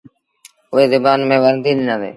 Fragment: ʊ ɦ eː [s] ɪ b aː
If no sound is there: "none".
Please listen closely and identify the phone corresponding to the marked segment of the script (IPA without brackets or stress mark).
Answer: z